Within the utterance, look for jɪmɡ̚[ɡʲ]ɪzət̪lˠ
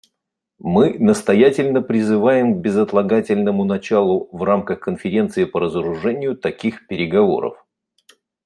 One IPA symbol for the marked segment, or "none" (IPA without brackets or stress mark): bʲ